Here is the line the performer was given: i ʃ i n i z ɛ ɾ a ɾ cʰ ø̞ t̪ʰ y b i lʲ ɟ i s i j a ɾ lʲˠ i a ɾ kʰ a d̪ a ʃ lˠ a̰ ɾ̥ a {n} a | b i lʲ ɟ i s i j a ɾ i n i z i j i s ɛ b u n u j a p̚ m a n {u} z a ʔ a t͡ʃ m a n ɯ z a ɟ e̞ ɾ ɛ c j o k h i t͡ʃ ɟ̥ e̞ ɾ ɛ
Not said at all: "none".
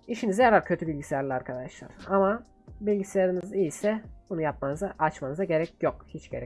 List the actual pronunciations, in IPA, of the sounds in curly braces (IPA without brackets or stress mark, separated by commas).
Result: m, ɯ